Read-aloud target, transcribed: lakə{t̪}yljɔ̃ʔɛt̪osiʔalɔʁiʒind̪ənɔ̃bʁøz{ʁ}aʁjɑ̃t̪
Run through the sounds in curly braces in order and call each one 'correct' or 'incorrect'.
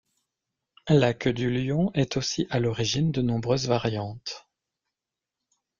incorrect: d̪, incorrect: v

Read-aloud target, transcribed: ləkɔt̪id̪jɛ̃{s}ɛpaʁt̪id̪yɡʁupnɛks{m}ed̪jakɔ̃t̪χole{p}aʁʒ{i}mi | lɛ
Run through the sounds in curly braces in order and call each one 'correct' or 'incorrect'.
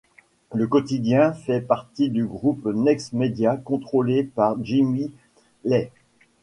incorrect: f, correct, correct, correct

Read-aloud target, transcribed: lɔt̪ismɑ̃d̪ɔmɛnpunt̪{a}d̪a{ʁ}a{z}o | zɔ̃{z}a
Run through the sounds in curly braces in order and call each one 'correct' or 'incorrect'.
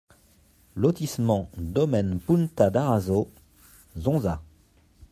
correct, correct, correct, correct

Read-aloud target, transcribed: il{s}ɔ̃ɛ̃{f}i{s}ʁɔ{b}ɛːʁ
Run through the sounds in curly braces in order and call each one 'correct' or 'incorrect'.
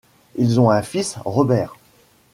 incorrect: z, correct, correct, correct

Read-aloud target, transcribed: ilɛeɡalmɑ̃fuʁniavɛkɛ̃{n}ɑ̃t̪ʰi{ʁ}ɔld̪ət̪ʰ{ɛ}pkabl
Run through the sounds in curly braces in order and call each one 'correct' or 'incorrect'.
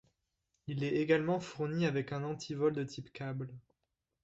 correct, incorrect: v, incorrect: i

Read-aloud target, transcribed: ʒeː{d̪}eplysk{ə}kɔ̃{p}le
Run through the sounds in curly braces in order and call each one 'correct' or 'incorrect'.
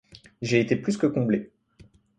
incorrect: t̪, correct, incorrect: b

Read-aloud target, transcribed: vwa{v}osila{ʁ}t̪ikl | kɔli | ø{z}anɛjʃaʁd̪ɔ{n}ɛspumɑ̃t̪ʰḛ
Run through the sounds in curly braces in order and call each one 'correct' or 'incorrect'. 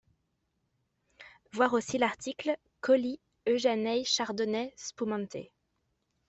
incorrect: ʁ, correct, incorrect: ʒ, correct

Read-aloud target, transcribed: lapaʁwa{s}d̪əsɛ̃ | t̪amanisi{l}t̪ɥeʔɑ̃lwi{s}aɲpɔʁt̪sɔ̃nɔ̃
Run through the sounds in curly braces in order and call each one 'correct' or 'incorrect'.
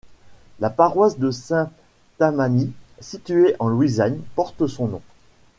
correct, incorrect: none, incorrect: z

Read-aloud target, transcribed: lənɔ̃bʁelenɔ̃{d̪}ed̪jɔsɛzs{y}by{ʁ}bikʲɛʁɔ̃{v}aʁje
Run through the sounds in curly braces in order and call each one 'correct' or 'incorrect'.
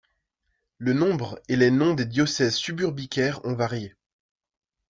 correct, correct, correct, correct

